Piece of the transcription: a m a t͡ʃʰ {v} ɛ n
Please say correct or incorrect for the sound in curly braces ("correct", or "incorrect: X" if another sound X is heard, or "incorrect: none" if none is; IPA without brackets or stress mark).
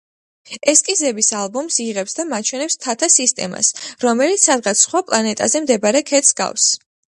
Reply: incorrect: w